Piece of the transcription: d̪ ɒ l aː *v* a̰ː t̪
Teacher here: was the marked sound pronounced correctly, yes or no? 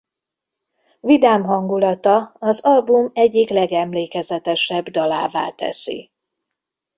yes